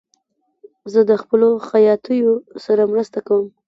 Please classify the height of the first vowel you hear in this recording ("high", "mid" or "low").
mid